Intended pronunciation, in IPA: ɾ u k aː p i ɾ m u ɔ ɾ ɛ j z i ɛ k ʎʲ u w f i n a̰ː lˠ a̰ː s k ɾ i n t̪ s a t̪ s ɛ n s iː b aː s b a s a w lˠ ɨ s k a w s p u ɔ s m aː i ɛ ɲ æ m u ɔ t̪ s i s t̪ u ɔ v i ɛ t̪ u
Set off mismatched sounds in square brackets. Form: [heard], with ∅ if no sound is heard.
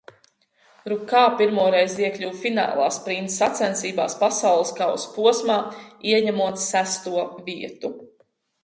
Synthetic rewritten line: ɾ u k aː p i ɾ m u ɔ ɾ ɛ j z i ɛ k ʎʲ u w f i n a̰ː lˠ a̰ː s [p] ɾ i n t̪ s a t̪ s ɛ n s iː b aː s [p] a s a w lˠ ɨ s k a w s p u ɔ s m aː i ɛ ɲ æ m u ɔ t̪ s [æ] s t̪ u ɔ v i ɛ t̪ u